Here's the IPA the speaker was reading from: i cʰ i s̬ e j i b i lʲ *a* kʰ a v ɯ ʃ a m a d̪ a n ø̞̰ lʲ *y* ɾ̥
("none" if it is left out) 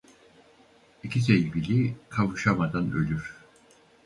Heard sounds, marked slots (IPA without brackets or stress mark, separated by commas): i, y